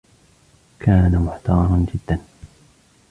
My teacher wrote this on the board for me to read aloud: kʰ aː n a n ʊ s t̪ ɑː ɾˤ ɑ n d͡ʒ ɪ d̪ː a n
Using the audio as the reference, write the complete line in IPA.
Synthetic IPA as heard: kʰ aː n a m ʊ ħ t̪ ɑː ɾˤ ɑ n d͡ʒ ɪ d̪ː a n